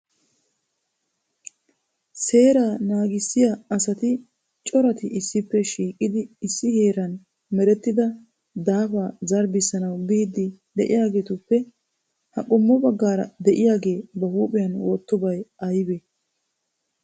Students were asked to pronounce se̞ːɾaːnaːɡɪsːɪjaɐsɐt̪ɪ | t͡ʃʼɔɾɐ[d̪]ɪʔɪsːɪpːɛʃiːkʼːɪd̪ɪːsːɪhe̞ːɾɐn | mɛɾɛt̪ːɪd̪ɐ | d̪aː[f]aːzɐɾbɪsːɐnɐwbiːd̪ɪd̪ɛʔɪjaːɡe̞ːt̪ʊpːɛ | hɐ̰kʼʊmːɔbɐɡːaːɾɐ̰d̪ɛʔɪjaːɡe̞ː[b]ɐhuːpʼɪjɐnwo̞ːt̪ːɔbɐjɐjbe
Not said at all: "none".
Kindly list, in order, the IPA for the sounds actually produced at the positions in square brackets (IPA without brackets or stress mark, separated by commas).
t̪, f, b